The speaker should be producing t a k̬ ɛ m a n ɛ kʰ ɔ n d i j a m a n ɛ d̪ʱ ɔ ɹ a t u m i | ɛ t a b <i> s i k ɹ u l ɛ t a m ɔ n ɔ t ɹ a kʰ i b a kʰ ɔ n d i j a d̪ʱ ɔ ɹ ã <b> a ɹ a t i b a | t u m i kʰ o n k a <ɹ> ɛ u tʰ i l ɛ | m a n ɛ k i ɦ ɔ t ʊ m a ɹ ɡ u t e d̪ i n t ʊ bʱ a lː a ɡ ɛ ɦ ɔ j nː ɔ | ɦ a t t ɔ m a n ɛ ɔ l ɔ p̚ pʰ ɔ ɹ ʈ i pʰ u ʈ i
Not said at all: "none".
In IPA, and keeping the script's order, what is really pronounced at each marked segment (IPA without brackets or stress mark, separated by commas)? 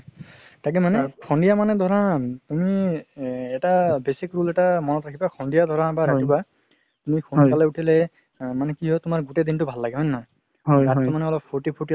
e, b, l